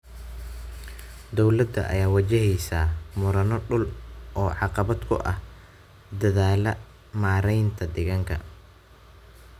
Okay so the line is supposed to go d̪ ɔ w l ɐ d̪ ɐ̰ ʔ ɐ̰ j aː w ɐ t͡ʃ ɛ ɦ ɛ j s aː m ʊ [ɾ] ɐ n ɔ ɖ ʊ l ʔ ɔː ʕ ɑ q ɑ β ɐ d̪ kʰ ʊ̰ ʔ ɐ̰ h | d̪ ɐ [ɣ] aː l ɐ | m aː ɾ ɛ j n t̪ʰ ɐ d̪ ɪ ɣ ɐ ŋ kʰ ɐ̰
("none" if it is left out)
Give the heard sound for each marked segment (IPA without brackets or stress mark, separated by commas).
ɾ, ð